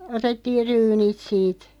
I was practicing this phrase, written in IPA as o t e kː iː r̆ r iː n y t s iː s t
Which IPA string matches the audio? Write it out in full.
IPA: o t e tː iː r̆ r yː n i t s iː t